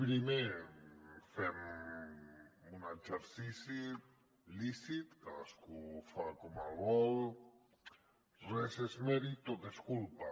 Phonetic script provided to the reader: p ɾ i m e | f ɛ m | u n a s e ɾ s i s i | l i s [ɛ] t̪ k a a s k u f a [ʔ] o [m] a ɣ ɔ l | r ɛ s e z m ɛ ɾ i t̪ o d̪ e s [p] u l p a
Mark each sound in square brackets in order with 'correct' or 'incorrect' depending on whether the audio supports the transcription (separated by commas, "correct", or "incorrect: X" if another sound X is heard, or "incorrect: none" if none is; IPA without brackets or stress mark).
incorrect: i, incorrect: k, correct, incorrect: k